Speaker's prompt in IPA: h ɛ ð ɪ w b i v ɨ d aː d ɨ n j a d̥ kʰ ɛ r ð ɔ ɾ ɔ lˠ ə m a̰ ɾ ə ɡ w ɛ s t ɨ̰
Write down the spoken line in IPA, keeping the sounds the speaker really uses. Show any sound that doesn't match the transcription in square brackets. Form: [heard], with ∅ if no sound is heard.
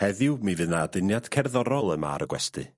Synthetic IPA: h ɛ ð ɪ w [m] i v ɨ [n] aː d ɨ n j a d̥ kʰ ɛ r ð ɔ ɾ ɔ lˠ ə m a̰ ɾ ə ɡ w ɛ s t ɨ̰